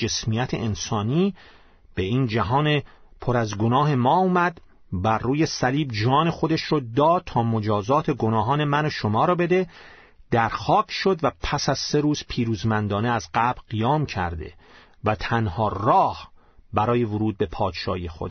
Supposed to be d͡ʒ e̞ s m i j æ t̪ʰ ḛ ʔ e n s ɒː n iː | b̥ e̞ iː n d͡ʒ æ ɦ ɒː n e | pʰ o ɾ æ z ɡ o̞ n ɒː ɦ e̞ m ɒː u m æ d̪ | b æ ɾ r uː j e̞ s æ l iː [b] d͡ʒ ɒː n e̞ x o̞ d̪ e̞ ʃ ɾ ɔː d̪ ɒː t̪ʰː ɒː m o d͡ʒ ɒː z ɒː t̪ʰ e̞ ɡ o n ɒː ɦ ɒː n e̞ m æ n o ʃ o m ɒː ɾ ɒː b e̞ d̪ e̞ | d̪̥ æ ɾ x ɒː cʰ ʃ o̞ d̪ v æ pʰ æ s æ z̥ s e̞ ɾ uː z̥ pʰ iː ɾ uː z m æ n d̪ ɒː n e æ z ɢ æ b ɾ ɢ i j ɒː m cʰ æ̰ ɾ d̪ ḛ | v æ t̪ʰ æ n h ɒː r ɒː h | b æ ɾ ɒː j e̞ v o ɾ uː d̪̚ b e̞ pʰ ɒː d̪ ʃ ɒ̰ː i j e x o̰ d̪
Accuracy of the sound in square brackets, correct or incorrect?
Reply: correct